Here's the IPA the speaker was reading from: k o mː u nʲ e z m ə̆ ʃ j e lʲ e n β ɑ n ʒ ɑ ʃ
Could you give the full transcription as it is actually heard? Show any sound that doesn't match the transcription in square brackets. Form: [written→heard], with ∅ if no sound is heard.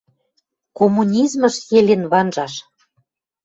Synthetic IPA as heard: k o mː u nʲ [e→i] z m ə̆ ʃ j e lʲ e n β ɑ n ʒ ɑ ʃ